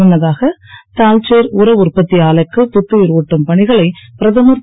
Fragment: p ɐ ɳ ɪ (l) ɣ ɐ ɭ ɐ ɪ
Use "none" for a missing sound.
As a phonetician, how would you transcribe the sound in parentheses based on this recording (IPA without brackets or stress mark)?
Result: none